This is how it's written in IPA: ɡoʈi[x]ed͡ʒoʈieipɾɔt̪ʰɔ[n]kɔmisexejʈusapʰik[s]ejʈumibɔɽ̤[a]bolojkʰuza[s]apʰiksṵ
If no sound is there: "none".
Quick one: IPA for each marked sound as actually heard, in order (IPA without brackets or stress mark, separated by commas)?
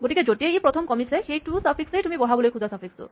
k, m, s, a, s